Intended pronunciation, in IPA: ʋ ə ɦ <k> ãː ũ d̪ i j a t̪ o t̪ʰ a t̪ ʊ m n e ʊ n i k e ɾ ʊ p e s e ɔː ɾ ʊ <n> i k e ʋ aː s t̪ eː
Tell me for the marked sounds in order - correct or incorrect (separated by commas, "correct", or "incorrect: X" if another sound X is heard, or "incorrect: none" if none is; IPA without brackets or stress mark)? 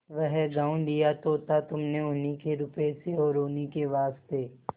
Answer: incorrect: ɡ, correct